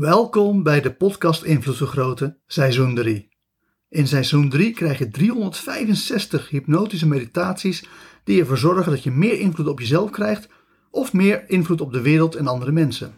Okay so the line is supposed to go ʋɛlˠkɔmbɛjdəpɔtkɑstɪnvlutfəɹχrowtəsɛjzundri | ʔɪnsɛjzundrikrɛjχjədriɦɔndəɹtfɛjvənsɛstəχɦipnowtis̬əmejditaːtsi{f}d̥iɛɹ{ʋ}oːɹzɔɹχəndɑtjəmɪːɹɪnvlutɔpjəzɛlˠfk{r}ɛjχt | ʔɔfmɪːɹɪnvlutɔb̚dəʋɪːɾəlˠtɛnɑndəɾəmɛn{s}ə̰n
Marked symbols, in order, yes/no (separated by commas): no, no, yes, yes